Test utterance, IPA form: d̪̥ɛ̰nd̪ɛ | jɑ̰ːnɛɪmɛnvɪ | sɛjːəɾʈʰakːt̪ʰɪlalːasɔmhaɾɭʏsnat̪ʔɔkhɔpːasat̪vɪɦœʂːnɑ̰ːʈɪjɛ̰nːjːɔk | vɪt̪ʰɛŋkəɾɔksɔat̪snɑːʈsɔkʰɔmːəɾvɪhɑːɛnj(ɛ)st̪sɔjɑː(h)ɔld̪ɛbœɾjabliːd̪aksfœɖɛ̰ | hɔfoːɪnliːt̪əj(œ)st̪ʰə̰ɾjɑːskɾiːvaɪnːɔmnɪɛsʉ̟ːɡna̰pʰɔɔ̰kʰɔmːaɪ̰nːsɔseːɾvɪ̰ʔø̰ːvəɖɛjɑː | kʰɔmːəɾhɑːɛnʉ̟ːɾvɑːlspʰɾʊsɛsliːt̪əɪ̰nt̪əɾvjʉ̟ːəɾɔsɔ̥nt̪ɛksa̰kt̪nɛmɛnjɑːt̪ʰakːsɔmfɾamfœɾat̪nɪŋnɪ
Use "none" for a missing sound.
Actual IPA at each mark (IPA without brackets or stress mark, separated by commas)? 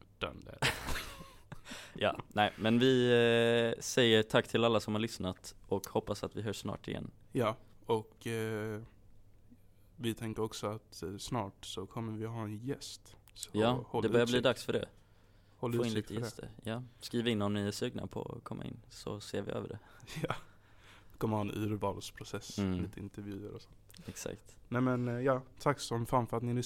ɛ, h, ɛ